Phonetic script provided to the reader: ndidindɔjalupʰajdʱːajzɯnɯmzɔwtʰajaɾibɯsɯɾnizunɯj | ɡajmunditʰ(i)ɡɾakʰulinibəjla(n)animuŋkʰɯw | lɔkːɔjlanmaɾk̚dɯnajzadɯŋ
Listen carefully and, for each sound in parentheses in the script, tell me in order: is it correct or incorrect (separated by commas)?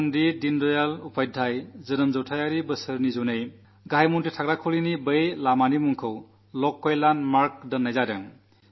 incorrect, incorrect